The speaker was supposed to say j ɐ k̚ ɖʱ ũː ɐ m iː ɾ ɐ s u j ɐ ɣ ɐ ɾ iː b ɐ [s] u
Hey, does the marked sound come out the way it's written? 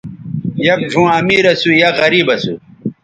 yes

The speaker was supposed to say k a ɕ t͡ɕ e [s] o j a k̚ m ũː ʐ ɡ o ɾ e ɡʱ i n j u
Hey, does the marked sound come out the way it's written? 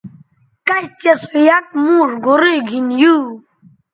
yes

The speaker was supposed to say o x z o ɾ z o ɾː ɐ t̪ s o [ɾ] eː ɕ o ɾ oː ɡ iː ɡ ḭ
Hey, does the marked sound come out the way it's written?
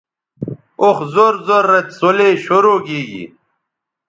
no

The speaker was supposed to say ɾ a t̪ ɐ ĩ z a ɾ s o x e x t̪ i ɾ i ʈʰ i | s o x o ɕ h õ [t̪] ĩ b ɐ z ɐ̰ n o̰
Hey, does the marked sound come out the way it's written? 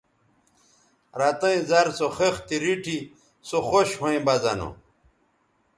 no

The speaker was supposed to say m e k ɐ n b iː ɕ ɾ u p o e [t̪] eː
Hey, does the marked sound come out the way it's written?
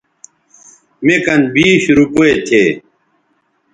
no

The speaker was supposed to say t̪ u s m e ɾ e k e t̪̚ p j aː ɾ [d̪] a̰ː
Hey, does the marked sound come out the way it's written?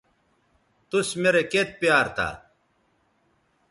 no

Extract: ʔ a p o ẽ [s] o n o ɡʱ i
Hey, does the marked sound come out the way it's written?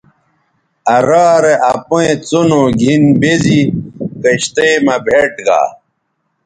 no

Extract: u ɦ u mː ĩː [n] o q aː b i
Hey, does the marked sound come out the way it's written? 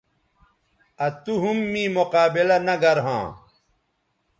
no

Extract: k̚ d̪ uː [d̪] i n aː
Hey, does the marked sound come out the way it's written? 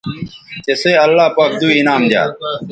no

